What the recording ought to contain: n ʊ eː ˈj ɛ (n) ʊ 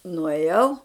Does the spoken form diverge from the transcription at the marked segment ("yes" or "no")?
yes